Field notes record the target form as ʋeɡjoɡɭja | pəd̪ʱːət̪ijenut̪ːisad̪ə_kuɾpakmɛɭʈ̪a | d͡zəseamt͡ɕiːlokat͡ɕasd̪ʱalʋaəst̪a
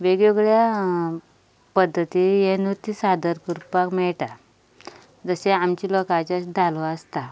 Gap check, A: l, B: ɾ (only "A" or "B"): B